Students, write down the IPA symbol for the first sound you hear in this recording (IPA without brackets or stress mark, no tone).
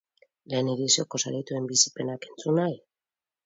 l